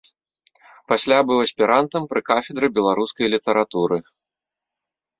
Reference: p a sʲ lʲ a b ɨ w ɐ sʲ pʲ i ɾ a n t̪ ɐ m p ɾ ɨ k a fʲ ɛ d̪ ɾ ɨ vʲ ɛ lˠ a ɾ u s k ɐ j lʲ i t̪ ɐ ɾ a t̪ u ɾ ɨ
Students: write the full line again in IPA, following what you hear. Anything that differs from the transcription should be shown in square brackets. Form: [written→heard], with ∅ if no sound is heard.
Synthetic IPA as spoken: p a sʲ lʲ a b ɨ w ɐ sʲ pʲ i ɾ a n t̪ ɐ m p ɾ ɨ k a fʲ ɛ d̪ ɾ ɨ [vʲ→bʲ] ɛ lˠ a ɾ u s k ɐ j lʲ i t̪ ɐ ɾ a t̪ u ɾ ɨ